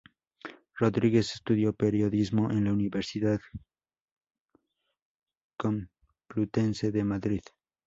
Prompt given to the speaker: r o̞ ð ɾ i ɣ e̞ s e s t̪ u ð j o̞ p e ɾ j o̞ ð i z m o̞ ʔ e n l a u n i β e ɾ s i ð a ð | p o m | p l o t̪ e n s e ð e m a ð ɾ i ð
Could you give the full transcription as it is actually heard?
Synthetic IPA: r o̞ ð ɾ i ɣ e̞ s e s t̪ u ð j o̞ p e ɾ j o̞ ð i z m o̞ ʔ e n l a u n i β e ɾ s i ð a ð | k o m | p l u t̪ e n s e ð e m a ð ɾ i ð

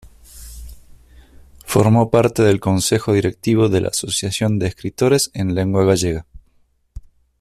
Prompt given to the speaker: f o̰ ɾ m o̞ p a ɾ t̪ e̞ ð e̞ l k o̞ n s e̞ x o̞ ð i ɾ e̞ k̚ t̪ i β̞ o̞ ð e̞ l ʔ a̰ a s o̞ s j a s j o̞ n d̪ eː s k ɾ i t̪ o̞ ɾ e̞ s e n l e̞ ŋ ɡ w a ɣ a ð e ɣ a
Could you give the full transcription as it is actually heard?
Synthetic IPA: f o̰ ɾ m o̞ p a ɾ t̪ e̞ ð e̞ l k o̞ n s e̞ x o̞ ð i ɾ e̞ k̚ t̪ i β̞ o̞ ð e̞ l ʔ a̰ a s o̞ s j a s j o̞ n d̪ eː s k ɾ i t̪ o̞ ɾ e̞ s e n l e̞ ŋ ɡ w a ɣ a ʒ e ɣ a

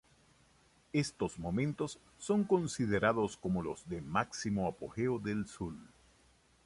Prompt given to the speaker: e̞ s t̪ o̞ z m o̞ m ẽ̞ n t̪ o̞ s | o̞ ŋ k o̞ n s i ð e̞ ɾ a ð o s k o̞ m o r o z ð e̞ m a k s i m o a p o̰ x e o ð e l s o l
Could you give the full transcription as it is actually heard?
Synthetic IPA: e̞ s t̪ o̞ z m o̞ m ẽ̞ n t̪ o̞ sː | o̞ ŋ k o̞ n s i ð e̞ ɾ a ð o s k o̞ m o l o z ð e̞ m a k s i m o a p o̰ x e o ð e l s u l

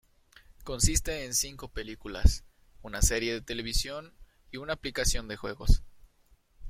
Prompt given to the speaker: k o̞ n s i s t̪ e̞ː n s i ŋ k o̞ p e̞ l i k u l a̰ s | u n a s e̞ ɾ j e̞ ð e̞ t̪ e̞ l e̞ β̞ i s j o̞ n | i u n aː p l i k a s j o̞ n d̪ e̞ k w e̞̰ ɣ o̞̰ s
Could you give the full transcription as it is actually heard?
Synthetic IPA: k o̞ n s i s t̪ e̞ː n s i ŋ k o̞ p e̞ l i k u l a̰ s | u n a s e̞ ɾ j e̞ ð e̞ t̪ e̞ l e̞ β̞ i s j o̞ n | i u n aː p l i k a s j o̞ n d̪ e̞ x w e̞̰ ɣ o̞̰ s

